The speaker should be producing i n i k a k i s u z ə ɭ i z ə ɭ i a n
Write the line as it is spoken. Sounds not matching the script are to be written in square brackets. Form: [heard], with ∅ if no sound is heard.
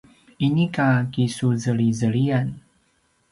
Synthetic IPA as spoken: i n i k a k i s u z ə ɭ i z ə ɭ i a n